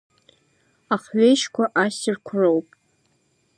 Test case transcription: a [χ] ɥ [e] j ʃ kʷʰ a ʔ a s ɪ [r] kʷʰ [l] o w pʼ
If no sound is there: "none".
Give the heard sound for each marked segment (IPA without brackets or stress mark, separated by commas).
χ, e, r, r